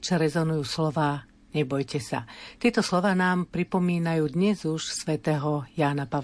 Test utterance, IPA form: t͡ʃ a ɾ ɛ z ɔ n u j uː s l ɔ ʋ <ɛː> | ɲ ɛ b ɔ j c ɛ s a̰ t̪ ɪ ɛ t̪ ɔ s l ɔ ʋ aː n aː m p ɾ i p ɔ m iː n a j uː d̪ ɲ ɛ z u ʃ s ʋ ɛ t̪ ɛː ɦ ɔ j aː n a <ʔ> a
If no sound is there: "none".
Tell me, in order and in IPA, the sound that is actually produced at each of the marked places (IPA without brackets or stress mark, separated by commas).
aː, p